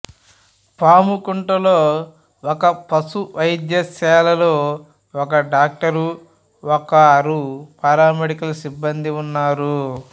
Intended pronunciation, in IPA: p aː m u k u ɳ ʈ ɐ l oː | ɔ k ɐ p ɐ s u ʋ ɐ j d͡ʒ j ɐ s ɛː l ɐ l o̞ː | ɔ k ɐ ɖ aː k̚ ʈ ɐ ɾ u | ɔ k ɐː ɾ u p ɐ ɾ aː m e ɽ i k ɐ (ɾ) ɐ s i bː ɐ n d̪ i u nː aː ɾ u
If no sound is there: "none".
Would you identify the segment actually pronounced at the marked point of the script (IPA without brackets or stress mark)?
l